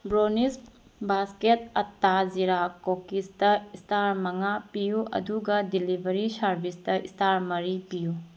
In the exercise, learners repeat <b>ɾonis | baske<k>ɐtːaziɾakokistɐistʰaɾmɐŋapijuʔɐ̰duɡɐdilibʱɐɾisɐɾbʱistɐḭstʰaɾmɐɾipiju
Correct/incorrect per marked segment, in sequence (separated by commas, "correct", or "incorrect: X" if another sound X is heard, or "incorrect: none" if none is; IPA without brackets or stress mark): correct, incorrect: t